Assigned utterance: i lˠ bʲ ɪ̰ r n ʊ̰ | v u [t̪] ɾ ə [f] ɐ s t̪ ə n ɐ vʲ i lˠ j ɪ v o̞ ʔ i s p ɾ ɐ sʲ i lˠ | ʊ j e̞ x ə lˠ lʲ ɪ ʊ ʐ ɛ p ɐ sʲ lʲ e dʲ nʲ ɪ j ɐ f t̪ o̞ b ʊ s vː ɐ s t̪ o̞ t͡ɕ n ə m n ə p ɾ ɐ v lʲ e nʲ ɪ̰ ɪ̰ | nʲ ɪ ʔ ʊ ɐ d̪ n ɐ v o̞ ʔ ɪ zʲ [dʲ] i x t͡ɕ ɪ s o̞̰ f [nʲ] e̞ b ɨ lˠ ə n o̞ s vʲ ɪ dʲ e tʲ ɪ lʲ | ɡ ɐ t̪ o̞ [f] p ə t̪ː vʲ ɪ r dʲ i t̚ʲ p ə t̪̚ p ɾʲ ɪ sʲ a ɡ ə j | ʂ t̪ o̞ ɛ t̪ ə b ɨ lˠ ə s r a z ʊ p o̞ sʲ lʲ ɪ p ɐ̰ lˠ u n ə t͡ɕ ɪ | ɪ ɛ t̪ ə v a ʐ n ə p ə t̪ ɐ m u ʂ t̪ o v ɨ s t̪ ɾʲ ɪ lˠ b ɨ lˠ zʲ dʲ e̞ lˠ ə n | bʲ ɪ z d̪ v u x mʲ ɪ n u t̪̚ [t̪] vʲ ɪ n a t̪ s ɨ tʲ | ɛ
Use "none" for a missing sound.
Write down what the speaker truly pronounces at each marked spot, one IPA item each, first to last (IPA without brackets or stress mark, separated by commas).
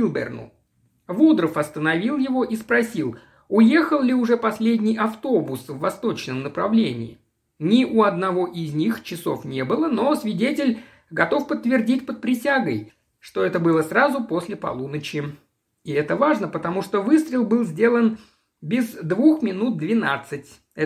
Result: d̪, f, nʲ, nʲ, f, d̪